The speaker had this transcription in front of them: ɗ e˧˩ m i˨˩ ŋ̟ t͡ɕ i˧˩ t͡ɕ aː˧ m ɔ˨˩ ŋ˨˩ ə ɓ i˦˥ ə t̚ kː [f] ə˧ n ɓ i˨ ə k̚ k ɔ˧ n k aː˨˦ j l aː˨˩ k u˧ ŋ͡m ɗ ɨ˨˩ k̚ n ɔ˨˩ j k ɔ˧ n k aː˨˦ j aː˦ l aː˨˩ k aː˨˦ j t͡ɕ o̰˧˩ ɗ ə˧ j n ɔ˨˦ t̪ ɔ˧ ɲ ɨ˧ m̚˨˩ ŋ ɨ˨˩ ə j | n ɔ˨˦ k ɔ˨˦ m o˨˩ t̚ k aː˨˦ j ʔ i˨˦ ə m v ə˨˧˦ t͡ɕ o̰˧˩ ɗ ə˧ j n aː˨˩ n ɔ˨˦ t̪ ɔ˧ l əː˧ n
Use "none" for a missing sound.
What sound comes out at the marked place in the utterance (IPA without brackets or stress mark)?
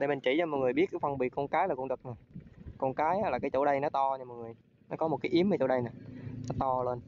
f